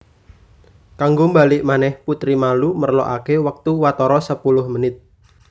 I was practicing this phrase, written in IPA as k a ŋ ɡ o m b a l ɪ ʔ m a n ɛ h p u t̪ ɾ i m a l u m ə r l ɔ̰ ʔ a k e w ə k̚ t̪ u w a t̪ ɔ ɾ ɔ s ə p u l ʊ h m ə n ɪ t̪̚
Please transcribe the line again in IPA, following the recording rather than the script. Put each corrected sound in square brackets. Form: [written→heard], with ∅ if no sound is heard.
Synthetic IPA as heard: k a ŋ ɡ o m b a l ɪ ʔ m a n ɛ h p u t̪ ɾ i m a l u m ə r l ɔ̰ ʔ a k e w ə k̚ t̪ u w a t̪ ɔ ɾ ɔ s ə p u l ʊ h m ə n ɪ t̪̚